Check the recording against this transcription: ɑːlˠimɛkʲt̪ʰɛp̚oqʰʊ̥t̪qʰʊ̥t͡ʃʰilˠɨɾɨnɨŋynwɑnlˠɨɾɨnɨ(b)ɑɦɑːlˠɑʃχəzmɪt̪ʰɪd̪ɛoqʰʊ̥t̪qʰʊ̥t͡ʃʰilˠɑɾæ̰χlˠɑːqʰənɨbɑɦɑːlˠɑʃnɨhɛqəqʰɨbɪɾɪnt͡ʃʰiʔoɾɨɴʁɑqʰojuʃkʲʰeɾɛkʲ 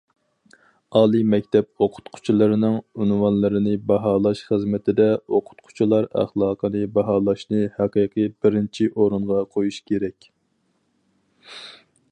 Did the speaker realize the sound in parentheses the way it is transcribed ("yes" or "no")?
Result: yes